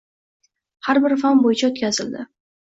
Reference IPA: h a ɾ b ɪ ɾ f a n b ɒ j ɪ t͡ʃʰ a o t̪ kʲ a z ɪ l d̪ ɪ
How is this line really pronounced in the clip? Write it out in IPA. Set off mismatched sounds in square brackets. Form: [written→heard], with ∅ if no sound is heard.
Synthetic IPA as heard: h a ɾ b ɪ ɾ f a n b [ɒ→o] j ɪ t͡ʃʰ a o t̪ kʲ a z ɪ l d̪ ɪ